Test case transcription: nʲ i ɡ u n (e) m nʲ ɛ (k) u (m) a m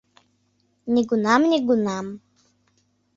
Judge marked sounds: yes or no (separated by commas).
no, no, no